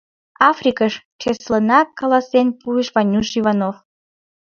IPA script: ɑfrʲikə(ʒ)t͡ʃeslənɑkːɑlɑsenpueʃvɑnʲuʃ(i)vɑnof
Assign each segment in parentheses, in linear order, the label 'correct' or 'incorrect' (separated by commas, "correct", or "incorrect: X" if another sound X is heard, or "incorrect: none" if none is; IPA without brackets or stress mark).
incorrect: ʃ, correct